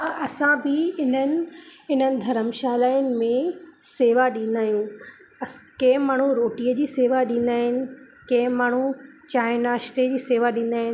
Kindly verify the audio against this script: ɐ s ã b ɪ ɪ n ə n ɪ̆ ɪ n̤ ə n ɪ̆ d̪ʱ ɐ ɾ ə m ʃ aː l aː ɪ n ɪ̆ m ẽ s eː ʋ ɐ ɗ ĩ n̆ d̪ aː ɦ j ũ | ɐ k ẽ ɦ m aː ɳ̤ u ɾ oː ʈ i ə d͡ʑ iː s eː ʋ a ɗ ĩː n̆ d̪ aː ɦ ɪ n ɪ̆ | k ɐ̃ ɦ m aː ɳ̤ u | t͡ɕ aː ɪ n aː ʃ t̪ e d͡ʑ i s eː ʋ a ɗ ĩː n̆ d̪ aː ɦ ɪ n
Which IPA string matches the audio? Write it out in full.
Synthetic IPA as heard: ɐ s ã b ɪ ɪ n ə n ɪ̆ ɪ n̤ ə n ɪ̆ d̪ʱ ɐ ɾ ə m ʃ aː l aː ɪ n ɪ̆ m ẽ s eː ʋ a ɗ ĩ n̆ d̪ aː ɦ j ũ | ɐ k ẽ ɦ m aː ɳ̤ u ɾ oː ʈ i ə d͡ʑ iː s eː ʋ a ɗ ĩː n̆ d̪ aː ɦ ɪ n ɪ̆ | k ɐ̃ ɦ m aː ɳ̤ u | t͡ɕ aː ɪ n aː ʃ t̪ e d͡ʑ iː s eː ʋ a ɗ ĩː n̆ d̪ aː ɦ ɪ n